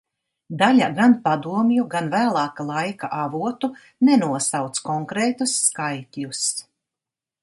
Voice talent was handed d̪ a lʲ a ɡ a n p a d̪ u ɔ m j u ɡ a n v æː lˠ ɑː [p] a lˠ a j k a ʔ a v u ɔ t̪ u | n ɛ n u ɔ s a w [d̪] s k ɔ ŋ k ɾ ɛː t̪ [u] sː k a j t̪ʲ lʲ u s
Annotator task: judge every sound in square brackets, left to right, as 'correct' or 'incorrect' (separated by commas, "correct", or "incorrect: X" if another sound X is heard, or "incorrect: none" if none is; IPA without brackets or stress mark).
incorrect: k, incorrect: t̪, correct